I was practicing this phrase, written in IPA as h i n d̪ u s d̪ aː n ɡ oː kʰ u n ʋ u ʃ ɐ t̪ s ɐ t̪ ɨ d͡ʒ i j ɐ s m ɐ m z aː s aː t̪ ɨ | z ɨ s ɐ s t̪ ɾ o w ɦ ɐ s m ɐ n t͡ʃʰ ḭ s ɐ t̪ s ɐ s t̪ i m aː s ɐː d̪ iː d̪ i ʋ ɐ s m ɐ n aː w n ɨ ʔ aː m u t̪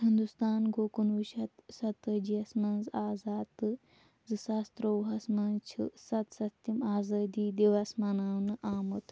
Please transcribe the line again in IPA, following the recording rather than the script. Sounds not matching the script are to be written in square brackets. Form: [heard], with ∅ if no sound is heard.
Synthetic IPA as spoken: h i n d̪ u s [t̪] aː n ɡ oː [k] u n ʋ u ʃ ɐ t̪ s ɐ t̪ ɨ d͡ʒ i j ɐ s m ɐ [n] z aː [z] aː t̪ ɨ | z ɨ s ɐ s t̪ ɾ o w ɦ ɐ s m ɐ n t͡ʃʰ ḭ s ɐ t̪ s ɐ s t̪ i m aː [z] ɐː d̪ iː d̪ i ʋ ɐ s m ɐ n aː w n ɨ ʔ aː m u t̪